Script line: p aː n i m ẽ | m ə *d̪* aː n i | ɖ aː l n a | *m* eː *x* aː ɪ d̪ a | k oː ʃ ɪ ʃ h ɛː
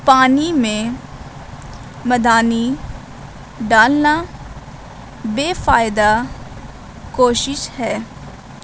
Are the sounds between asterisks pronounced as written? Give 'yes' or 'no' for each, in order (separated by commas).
yes, no, no